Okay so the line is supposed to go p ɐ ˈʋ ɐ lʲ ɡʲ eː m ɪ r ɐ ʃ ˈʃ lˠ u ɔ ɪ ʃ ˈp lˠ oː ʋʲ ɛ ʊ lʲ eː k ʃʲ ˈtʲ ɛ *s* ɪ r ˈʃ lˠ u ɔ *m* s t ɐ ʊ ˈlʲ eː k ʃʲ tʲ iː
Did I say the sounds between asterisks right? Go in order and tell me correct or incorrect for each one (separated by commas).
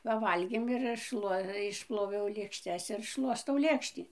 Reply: correct, incorrect